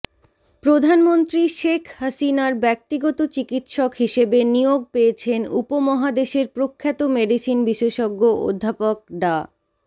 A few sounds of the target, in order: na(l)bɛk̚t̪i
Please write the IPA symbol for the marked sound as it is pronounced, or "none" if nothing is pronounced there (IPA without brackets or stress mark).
ɾ